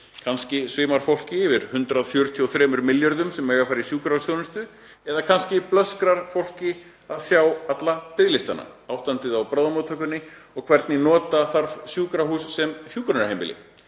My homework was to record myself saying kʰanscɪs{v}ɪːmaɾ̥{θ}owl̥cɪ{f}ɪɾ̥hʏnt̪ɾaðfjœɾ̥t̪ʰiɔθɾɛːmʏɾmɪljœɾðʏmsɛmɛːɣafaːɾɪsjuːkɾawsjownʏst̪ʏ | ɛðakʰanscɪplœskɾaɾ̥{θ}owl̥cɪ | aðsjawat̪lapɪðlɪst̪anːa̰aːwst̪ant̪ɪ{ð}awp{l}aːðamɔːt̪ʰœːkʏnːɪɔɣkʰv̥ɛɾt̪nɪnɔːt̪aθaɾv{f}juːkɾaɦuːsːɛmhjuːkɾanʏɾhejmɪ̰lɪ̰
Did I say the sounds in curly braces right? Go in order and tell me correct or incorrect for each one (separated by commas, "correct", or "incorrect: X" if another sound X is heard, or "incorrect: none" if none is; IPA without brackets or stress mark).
correct, incorrect: f, incorrect: v, incorrect: f, correct, incorrect: ɾ, incorrect: s